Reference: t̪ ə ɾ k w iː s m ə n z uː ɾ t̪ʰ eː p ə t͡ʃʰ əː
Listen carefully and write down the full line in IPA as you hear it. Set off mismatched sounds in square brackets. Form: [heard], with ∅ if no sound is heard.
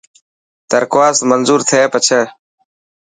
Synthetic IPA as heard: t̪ ə ɾ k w [aː] s m ə n z uː ɾ t̪ʰ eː p ə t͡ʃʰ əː